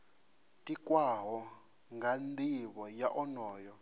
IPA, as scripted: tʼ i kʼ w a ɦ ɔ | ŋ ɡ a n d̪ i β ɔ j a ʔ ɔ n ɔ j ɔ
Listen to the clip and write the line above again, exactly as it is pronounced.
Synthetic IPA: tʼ i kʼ w a ɦ ɔ | ŋ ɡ a n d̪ i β ɔ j a ʔ ɔ n ɔː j ɔ

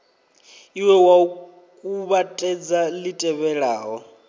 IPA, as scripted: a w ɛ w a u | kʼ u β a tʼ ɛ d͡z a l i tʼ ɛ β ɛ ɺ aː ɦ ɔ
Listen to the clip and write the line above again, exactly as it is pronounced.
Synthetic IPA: i w ɛ w a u | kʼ u β a tʼ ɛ d͡z a l i tʼ ɛ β ɛ ɺ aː ɦ ɔ

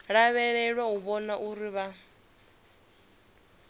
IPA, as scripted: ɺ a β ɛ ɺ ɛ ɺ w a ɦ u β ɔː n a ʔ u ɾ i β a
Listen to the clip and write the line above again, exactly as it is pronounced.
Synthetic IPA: ɺ a β ɛ ɺ ɛ ɺ w a ɦ u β ɔ n a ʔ u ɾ i β a

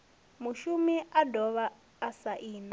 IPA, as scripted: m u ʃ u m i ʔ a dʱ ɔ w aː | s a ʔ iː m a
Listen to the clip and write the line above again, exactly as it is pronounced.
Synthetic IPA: m u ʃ u m i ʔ a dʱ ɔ β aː | s a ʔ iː n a

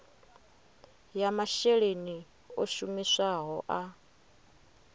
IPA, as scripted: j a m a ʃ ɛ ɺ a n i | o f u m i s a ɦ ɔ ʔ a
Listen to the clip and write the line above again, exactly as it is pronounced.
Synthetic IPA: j a m a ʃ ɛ ɺ e n i | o ʃ u m i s a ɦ ɔ ʔ a

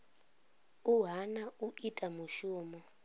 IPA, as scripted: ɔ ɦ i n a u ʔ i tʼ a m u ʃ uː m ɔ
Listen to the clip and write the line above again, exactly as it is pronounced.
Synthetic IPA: u ɦ a n a u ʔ i tʼ a m u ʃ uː m ɔ

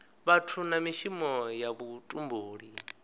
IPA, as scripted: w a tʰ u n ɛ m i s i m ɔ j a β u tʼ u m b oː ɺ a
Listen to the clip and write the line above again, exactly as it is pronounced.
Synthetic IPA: β a tʰ u n a m i ʃ i m ɔ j a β u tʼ u m b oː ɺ i

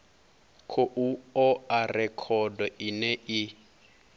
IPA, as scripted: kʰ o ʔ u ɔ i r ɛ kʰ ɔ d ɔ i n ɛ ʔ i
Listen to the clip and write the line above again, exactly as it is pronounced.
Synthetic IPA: kʰ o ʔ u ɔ a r ɛ kʰ ɔ d ɔ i n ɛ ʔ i

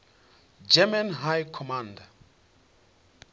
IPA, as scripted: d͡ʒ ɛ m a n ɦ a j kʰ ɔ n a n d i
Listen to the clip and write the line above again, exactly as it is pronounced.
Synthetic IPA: d͡ʒ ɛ m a n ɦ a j kʰ ɔ m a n d a

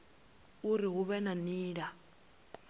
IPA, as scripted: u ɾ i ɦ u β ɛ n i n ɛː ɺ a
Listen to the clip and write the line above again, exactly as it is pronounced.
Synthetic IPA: u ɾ i ɦ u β ɛ n a n iː ɺ a

